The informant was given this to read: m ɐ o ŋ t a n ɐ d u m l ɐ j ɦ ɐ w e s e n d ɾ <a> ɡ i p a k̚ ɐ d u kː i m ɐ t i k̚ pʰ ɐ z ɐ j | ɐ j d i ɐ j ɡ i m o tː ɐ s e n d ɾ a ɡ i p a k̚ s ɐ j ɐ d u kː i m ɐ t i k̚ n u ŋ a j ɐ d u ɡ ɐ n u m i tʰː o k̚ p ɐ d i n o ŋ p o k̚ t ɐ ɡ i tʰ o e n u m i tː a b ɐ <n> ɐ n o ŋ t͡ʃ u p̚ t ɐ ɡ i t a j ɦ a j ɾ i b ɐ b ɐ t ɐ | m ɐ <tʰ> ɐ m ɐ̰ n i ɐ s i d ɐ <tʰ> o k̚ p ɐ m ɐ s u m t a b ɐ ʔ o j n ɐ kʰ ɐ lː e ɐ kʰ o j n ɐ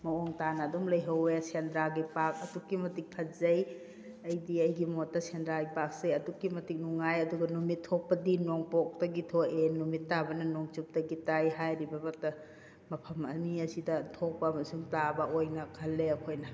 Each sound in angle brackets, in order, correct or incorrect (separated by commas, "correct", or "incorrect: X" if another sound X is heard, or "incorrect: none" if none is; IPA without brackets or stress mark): correct, correct, incorrect: pʰ, correct